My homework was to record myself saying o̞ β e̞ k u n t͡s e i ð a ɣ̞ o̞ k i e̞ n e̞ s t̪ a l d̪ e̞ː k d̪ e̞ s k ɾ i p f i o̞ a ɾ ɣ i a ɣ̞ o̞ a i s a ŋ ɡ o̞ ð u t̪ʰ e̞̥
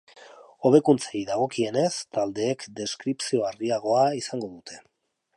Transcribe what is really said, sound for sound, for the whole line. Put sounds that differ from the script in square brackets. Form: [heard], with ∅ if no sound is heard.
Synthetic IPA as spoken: o̞ β e̞ k u n t͡s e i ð a ɣ̞ o̞ k i e̞ n e̞ s t̪ a l d̪ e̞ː k d̪ e̞ s k ɾ i p [s] i o̞ a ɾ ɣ i a ɣ̞ o̞ a i s a ŋ ɡ o̞ ð u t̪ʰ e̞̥